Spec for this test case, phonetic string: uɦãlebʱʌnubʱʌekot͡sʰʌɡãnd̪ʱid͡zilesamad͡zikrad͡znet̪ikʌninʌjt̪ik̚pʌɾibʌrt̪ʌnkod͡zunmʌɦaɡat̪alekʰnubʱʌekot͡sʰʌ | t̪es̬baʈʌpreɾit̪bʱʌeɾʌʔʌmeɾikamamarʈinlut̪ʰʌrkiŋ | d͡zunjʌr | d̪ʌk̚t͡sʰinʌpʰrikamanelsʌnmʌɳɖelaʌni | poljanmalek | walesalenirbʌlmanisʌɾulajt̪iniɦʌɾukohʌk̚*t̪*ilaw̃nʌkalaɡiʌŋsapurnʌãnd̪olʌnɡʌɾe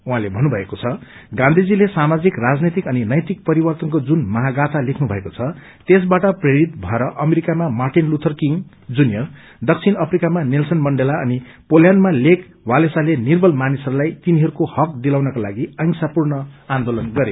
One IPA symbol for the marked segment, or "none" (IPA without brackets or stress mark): d̪